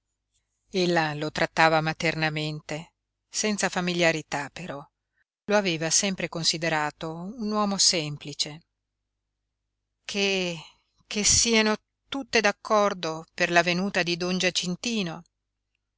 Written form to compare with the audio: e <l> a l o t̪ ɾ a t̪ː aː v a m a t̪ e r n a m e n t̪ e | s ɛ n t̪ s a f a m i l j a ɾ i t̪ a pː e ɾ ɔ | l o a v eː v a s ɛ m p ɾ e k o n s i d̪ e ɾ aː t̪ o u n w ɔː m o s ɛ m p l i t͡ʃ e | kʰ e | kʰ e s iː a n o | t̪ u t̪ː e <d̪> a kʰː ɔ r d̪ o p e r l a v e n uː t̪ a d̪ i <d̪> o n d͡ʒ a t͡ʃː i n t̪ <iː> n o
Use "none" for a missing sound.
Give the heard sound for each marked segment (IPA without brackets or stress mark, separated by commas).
lː, d̪, d̪, iː